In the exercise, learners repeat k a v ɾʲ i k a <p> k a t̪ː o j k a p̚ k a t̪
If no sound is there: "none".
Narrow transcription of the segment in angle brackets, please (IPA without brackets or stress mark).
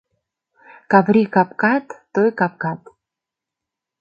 p